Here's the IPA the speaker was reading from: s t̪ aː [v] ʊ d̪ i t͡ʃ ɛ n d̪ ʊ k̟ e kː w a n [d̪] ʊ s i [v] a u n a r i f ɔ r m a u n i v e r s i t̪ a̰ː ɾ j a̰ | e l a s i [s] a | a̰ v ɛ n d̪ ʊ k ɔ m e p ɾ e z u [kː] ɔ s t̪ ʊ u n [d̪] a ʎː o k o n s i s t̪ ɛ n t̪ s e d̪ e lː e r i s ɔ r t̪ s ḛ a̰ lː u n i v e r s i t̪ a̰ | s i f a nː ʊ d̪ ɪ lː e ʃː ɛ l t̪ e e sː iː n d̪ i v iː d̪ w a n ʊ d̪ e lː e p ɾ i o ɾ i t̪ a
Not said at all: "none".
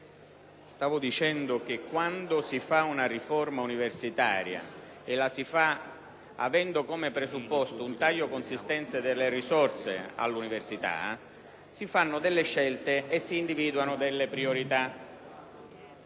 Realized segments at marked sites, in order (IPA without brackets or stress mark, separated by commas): v, d̪, f, f, pː, t̪